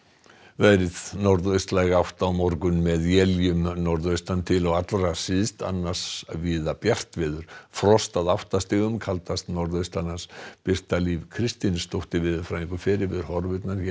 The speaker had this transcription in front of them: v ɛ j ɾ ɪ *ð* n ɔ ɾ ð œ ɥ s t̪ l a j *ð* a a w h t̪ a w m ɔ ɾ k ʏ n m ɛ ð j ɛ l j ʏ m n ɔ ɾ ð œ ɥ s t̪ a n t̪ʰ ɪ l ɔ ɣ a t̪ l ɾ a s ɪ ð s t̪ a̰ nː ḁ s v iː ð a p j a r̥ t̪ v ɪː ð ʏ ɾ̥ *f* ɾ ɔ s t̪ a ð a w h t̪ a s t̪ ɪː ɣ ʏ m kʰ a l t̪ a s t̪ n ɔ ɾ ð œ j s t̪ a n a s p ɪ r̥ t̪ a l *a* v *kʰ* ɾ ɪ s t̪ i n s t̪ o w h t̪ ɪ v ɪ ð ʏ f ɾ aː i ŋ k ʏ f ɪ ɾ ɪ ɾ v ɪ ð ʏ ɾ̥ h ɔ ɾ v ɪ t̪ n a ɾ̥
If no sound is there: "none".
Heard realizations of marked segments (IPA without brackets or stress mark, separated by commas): ð, ɣ, f, i, kʰ